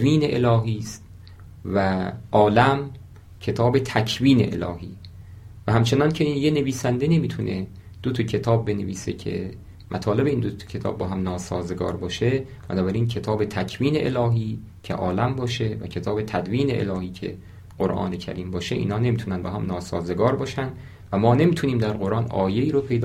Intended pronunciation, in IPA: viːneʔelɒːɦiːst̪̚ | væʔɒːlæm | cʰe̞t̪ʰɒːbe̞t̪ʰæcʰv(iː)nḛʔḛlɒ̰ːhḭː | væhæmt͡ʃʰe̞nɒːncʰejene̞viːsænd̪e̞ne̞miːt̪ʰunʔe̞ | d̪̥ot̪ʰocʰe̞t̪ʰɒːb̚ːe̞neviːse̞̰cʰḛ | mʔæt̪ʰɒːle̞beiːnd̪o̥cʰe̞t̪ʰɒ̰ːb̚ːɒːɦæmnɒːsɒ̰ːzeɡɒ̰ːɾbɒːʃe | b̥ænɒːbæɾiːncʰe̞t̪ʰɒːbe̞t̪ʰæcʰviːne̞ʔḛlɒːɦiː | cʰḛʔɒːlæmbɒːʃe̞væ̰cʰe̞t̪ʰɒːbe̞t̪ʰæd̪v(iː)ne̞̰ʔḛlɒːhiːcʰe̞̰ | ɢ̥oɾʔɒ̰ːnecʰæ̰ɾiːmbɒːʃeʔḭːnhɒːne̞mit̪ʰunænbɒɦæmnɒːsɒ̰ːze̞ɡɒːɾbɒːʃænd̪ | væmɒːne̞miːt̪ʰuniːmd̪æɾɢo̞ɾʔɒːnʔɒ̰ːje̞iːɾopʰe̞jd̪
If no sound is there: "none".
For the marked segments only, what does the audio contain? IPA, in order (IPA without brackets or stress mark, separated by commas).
iː, iː